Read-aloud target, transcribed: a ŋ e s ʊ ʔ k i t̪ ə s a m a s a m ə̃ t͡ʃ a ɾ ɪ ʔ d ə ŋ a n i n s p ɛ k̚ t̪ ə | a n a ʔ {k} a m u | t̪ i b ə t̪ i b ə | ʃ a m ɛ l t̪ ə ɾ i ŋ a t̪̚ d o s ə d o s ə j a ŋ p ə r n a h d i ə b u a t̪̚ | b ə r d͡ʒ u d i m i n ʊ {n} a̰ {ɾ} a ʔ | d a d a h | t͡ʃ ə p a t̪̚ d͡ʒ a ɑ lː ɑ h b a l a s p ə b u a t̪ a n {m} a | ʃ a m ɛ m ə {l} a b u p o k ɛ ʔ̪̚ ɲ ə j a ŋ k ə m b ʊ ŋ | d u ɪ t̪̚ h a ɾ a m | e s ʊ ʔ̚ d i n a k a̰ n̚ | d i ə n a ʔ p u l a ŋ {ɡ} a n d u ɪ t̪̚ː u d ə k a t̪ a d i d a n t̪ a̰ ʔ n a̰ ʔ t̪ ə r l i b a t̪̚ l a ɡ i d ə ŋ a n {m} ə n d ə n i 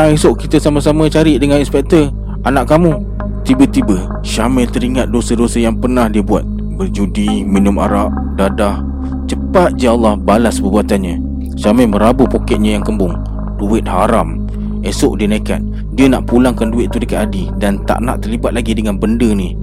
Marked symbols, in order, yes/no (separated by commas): yes, no, yes, no, no, no, no